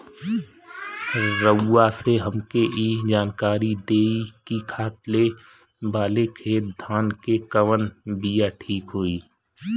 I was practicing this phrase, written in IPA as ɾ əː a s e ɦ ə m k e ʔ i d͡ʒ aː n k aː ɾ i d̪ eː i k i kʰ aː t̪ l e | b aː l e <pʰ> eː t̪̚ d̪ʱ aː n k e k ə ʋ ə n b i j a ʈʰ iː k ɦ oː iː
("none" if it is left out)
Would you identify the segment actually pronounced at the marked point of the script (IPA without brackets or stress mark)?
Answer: kʰ